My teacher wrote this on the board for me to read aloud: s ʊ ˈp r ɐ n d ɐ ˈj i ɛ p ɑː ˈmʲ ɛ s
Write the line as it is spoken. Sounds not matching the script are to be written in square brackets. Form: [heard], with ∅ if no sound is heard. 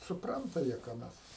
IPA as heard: s ʊ ˈp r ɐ n [t] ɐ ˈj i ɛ [k] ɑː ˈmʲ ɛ s